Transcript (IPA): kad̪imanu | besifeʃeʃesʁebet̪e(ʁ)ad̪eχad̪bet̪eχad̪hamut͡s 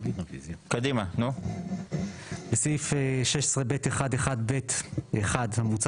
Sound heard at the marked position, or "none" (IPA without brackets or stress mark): χ